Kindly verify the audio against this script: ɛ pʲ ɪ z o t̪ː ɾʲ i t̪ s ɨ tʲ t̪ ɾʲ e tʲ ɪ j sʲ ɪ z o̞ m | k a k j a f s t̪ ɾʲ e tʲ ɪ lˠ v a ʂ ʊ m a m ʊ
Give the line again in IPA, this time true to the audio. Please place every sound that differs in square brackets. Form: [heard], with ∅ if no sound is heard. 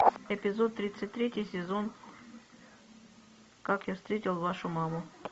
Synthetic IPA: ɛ pʲ ɪ z o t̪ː ɾʲ i t̪ s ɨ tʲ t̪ ɾʲ e tʲ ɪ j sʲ ɪ z o̞ [n] | k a k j a f s t̪ ɾʲ e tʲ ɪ lˠ v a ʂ ʊ m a m ʊ